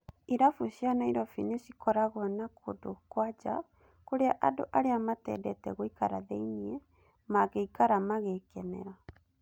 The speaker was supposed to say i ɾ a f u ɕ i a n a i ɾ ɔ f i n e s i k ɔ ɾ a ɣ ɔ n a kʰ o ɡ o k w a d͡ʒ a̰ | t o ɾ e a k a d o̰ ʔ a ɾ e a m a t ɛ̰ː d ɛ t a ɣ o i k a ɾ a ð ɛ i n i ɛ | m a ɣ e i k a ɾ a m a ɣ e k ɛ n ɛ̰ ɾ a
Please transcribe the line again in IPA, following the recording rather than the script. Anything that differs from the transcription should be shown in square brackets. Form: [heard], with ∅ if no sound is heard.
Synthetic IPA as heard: i ɾ a f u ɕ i a n a i ɾ ɔ f i n e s i k ɔ ɾ a ɣ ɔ n a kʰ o [d] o k w a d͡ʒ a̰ | [k] o ɾ e a [ʔ] a d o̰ ʔ a ɾ e a m a t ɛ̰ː d ɛ t [ɛ] ɣ o i k a ɾ a ð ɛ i n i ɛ | m a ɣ e i k a ɾ a m a ɣ e k ɛ n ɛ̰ ɾ a